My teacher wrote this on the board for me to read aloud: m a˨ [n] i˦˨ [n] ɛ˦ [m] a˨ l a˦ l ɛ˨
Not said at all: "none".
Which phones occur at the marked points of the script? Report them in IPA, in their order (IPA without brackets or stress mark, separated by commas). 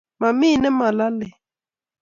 m, n, m